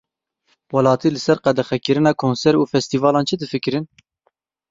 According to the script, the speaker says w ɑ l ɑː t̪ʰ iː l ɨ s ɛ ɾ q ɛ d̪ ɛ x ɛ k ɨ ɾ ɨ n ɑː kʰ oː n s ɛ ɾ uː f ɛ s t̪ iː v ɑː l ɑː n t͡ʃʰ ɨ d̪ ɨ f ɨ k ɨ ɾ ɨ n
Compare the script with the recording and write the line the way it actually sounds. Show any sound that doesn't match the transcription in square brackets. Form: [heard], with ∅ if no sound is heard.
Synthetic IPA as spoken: w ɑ l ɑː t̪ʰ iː l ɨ s ɛ ɾ q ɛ d̪ ɛ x ɛ k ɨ ɾ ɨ n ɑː kʰ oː n s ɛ ɾ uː f ɛ s t̪ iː v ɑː l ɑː n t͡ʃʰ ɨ d̪ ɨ f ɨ k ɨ ɾ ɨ n

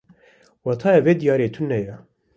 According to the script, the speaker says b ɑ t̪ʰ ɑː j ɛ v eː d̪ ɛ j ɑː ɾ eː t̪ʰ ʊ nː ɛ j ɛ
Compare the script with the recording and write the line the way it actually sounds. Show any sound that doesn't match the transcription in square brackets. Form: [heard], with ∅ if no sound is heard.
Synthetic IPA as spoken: [w] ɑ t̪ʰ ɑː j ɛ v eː d̪ [i] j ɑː ɾ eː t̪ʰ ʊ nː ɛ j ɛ

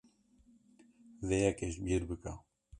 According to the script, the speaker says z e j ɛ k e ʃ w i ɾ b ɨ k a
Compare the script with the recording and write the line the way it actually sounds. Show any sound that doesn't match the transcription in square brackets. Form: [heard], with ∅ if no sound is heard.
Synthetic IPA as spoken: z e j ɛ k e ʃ [b] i ɾ b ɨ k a

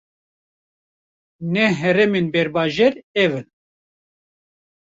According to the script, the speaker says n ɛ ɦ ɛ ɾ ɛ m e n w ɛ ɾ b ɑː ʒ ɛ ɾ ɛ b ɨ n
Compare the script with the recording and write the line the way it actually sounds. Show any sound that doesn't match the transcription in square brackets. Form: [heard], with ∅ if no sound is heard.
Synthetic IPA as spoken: n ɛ ɦ ɛ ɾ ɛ m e n [b] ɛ ɾ b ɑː ʒ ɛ ɾ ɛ [v] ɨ n

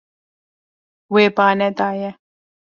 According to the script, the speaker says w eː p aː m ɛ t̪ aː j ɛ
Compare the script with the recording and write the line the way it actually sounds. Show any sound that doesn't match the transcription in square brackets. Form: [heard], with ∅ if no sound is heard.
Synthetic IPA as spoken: w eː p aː [n] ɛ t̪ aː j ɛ

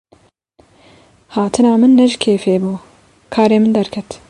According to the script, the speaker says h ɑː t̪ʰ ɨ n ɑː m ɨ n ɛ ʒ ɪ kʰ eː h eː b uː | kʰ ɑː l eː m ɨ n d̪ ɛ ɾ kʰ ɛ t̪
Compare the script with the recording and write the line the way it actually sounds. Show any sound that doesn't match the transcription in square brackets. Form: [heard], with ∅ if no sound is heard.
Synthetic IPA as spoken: h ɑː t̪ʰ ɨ n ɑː m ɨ [nː] ɛ ʒ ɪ kʰ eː [f] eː b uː | kʰ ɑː [ɾ] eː m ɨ n d̪ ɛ ɾ kʰ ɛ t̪

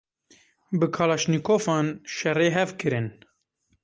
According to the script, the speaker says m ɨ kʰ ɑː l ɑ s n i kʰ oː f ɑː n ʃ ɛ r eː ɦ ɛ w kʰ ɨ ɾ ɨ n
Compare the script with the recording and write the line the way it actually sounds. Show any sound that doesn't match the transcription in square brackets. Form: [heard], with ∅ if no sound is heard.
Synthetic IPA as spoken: [b] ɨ kʰ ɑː l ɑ [ʃ] n i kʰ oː f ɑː n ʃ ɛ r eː ɦ ɛ [v] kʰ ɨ ɾ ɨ n

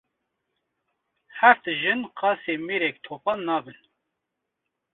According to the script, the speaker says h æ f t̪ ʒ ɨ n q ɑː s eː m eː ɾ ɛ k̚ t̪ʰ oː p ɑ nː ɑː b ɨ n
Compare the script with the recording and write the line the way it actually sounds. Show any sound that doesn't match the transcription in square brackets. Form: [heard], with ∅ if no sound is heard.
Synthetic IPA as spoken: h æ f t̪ ʒ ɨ n q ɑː s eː m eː ɾ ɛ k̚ t̪ʰ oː p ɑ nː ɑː b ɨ n

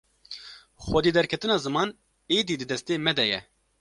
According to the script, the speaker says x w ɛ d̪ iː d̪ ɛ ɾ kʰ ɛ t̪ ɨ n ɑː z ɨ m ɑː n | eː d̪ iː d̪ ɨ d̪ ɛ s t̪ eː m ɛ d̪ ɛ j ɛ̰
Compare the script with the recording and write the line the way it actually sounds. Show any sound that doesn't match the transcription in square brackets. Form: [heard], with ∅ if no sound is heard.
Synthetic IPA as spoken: x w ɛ d̪ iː d̪ ɛ ɾ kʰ ɛ t̪ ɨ n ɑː z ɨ m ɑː n | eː d̪ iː d̪ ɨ d̪ ɛ s t̪ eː m ɛ d̪ ɛ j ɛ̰

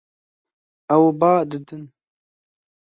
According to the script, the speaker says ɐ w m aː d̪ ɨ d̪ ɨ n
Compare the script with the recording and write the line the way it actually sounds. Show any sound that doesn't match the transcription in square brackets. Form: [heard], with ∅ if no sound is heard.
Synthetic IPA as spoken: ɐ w [b] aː d̪ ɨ d̪ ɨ n

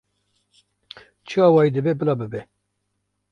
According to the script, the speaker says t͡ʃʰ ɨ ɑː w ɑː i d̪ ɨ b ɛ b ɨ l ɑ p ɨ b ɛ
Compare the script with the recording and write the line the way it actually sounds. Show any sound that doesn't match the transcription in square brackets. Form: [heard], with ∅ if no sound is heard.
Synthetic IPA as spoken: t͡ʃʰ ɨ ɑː w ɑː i d̪ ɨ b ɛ b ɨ l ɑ [b] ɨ b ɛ

